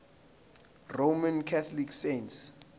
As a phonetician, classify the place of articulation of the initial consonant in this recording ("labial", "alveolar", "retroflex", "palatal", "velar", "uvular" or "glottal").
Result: alveolar